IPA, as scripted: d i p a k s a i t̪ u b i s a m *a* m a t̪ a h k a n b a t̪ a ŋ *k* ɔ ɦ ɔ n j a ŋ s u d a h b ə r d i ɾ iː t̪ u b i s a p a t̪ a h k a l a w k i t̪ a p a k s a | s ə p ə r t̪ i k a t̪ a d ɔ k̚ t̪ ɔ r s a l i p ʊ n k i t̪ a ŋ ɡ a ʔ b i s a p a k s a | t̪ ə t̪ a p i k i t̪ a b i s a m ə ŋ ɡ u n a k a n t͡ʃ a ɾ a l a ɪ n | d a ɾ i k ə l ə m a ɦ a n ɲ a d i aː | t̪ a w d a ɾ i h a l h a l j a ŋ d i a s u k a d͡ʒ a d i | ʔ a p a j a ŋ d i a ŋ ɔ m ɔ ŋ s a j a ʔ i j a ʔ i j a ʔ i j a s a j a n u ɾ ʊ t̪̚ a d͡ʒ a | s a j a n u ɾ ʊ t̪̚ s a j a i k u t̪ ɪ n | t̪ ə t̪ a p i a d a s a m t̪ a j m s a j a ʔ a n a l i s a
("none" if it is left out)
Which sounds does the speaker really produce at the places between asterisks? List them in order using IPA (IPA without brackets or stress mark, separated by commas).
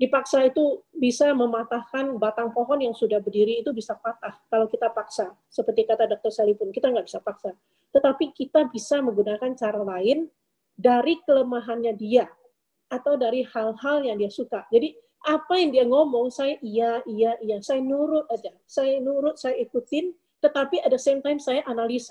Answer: ə, p